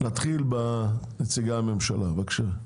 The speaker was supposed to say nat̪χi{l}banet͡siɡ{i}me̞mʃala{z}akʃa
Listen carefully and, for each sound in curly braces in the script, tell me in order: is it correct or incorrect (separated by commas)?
correct, incorrect, incorrect